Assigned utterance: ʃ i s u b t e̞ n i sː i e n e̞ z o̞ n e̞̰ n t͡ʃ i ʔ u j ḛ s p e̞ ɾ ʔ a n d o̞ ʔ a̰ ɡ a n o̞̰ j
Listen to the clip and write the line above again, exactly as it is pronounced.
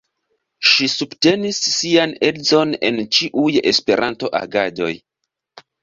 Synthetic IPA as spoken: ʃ i s u b t e̞ n i sː i a n e̞ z o̞ n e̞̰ n t͡ʃ i ʔ u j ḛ s p e̞ ɾ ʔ a n t o̞ ʔ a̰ ɡ a d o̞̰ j